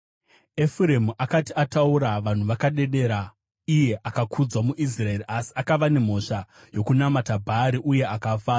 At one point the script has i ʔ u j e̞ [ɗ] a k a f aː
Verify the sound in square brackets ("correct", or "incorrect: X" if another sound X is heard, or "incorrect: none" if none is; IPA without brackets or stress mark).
incorrect: none